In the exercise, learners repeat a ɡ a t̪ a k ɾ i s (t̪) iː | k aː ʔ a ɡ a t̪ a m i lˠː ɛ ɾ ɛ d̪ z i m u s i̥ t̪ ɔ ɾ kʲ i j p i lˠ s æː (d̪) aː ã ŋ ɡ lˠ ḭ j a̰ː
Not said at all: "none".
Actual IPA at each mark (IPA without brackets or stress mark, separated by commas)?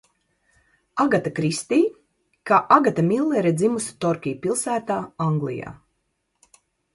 t̪, t̪